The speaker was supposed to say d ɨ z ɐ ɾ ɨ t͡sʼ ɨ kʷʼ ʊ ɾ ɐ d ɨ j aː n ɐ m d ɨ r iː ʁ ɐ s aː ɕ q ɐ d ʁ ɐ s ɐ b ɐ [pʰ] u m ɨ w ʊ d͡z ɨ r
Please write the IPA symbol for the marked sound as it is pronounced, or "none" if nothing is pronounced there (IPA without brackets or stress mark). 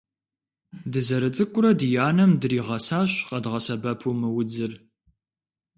pʰ